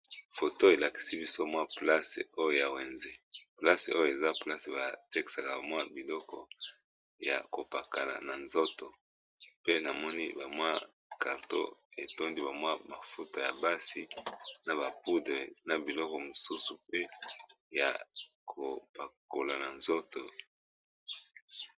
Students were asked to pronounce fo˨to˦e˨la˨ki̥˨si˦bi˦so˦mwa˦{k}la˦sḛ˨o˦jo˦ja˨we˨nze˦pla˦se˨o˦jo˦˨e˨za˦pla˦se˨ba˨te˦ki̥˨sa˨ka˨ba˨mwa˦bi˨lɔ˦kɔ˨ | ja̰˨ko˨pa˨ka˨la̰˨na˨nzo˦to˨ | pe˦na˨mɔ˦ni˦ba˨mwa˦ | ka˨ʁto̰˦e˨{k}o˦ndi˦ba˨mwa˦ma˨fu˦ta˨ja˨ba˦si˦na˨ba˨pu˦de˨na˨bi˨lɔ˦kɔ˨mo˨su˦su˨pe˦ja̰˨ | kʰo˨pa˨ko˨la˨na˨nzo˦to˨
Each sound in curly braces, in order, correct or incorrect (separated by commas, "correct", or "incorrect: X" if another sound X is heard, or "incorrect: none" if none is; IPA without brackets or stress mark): incorrect: p, incorrect: t